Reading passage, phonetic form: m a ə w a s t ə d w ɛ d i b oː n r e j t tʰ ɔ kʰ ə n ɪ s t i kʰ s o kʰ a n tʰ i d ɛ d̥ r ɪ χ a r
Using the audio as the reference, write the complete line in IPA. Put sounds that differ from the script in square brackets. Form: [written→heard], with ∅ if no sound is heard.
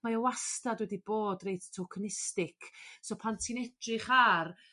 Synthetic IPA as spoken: m a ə w a s t [ə→a] d w ɛ d i b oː [n→d] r e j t tʰ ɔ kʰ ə n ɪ s t [i→ɪ] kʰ s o [kʰ→pʰ] a n tʰ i [d→n] ɛ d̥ r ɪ χ a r